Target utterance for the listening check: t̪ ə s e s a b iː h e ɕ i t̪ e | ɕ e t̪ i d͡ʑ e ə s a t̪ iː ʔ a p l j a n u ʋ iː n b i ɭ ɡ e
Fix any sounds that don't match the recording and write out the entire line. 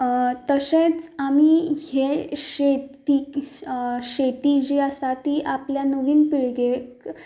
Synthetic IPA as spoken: t̪ ə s e t͡s a m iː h e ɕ e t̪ i | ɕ e t̪ i d͡ʑ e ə s a t̪ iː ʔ a p l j a n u ʋ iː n p i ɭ ɡ e